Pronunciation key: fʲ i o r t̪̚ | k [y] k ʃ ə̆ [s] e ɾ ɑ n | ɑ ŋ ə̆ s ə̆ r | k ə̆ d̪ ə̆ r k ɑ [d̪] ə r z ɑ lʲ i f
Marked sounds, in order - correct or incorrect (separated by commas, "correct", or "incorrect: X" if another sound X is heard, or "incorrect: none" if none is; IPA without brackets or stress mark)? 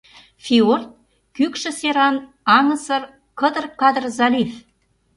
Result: correct, correct, correct